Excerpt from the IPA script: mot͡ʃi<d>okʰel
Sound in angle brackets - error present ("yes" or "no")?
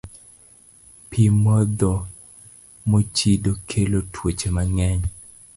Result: no